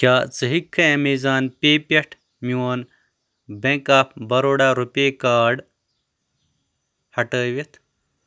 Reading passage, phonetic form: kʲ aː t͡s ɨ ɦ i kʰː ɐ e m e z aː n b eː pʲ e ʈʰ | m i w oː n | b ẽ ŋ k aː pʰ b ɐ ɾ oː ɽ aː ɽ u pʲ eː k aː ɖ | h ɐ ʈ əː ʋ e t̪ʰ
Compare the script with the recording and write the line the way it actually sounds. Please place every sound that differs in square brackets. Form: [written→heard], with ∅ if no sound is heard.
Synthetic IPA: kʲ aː t͡s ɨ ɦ i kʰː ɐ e m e z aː n [b→p] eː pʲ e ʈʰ | m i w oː n | b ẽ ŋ k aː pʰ b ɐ ɾ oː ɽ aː [ɽ→ɾ] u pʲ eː k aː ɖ | h ɐ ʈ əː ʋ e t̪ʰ